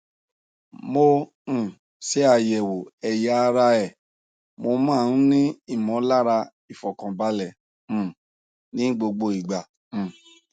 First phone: m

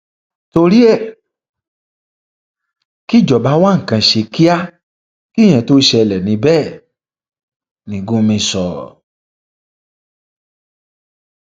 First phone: t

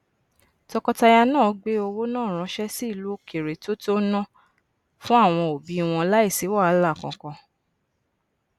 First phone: t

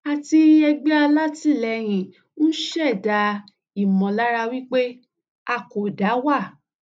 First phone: a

